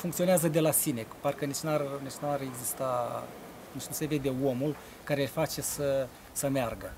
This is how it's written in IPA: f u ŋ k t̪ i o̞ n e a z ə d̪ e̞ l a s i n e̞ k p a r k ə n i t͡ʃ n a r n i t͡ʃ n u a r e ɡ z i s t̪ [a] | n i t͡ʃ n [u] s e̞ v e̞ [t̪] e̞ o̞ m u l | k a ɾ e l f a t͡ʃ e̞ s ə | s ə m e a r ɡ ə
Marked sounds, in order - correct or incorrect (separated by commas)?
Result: correct, correct, incorrect